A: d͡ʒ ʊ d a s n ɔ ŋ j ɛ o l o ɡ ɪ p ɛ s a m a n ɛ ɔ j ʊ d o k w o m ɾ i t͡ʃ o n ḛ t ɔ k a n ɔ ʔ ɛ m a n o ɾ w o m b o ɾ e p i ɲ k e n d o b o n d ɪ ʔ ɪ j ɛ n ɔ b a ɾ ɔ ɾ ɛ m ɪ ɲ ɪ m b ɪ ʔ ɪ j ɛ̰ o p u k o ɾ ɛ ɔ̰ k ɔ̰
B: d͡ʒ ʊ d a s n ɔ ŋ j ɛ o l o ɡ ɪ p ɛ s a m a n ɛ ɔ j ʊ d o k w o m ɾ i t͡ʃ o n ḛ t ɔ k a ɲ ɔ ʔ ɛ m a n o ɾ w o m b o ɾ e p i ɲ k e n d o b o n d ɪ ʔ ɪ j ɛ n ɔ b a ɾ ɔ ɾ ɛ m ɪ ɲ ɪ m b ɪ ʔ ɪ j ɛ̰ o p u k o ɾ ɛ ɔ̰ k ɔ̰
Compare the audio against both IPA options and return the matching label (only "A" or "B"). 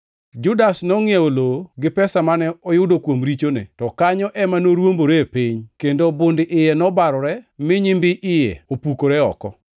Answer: B